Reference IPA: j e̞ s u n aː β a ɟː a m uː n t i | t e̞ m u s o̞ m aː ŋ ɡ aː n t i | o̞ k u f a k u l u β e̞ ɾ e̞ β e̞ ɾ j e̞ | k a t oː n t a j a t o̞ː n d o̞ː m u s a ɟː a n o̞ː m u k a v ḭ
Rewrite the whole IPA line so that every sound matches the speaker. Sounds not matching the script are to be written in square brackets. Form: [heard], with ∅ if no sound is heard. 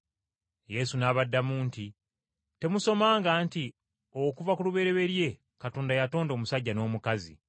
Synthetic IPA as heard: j e̞ s u n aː β a [dː] a m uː n t i | t e̞ m u s o̞ m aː ŋ ɡ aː n t i | o̞ k u [v] a k u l u β e̞ ɾ e̞ β e̞ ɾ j e̞ | k a t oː n [d] a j a t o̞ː n d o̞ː m u s a ɟː a n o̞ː m u k a [z] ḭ

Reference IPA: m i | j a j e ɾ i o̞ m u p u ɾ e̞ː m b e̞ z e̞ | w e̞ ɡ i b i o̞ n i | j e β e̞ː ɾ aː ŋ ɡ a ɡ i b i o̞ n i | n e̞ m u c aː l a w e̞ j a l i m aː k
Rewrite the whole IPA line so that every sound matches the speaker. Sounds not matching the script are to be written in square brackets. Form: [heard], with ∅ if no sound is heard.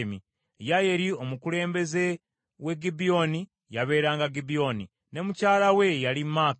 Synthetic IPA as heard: m i | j a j e ɾ i o̞ m u [k] u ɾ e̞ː m b e̞ z e̞ | w e̞ ɡ i b i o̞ n i | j [a] β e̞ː ɾ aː ŋ ɡ a ɡ i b i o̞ n i | n e̞ m u c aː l a w e̞ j a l i m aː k

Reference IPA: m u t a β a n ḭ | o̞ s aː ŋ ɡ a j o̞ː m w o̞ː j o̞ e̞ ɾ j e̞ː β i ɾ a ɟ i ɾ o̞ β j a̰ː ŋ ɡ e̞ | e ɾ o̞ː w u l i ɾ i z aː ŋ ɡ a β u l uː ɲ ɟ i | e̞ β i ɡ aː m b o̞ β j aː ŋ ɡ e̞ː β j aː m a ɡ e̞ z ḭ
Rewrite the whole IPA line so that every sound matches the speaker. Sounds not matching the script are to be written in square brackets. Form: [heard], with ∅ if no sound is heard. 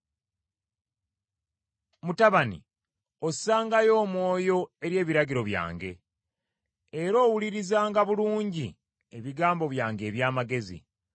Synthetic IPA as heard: m u t a β a n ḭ | o̞ s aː ŋ ɡ a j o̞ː m w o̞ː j o̞ e̞ ɾ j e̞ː β i ɾ a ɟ i ɾ o̞ β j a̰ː ŋ ɡ e̞ | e ɾ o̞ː w u l i ɾ i z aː ŋ ɡ a β u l uː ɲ ɟ i | e̞ β i ɡ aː m b o̞ β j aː ŋ ɡ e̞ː β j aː m a ɡ e̞ z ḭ

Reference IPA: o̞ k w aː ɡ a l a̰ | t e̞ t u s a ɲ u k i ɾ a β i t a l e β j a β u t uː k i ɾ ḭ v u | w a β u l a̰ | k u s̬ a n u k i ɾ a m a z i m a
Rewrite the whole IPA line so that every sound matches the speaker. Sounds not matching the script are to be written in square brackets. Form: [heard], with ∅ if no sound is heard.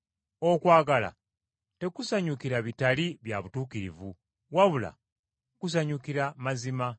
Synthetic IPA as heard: o̞ k w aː ɡ a l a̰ | t e̞ [k] u s a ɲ u k i ɾ a β i t a l [i] β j a β u t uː k i ɾ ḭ v u | w a β u l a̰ | k u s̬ a [ɲ] u k i ɾ a m a z i m a

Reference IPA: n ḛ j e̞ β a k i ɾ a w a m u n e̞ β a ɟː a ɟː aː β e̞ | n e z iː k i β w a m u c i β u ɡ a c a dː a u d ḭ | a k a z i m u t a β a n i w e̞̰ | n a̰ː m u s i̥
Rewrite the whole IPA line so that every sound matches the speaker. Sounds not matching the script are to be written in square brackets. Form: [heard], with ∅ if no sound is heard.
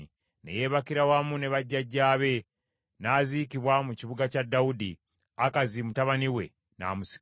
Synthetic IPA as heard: n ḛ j e̞ β a k i ɾ a w a m u n e̞ β a ɟː a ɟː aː β e̞ | n [a] z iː k i β w a m u c i β u ɡ a c a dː a u d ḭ | a k a z i m u t a β a n i w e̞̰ | n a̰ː m u s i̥

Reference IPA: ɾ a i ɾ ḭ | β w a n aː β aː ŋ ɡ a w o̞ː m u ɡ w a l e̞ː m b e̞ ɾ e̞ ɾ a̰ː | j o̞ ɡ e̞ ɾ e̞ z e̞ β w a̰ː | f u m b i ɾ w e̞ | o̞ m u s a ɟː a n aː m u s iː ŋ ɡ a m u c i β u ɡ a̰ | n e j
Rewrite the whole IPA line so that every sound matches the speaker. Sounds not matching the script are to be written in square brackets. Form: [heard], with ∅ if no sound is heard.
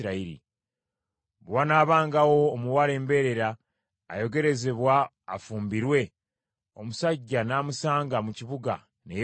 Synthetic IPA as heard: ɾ a i ɾ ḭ | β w a n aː β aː ŋ ɡ a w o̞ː m u [∅] w a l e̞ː m b e̞ ɾ e̞ ɾ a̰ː | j o̞ ɡ e̞ ɾ e̞ z e̞ β w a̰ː | f [uː] m b i ɾ w e̞ | o̞ m u s a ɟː a n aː m u s [aː] ŋ ɡ a m u c i β u ɡ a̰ | n e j

